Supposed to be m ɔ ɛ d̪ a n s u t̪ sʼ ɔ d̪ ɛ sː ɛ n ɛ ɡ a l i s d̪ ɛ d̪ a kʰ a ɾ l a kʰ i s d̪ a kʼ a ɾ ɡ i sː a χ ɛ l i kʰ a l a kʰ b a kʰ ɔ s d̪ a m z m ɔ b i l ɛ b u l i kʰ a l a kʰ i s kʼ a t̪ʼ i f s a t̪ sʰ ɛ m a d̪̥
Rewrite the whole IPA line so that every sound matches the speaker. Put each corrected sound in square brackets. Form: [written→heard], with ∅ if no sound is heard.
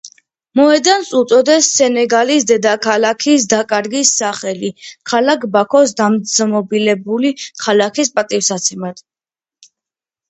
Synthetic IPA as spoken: m ɔ ɛ d̪ a n s u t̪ sʼ ɔ d̪ ɛ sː ɛ n ɛ ɡ a l i s d̪ ɛ d̪ a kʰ a [ɾ→∅] l a kʰ i s d̪ a kʼ a ɾ ɡ i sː a χ ɛ l i kʰ a l a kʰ b a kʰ ɔ s d̪ a m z m ɔ b i l ɛ b u l i kʰ a l a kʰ i s [kʼ→pʼ] a t̪ʼ i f s a t̪ sʰ ɛ m a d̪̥